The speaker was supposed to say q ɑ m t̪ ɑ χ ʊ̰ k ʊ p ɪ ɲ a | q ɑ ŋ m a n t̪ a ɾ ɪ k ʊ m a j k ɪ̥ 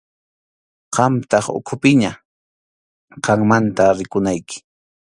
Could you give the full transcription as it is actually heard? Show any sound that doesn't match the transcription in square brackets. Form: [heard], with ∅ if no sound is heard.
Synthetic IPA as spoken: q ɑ m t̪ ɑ χ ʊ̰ [kʰ] ʊ p ɪ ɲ a | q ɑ ŋ m a n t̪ a ɾ ɪ k ʊ [n] a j k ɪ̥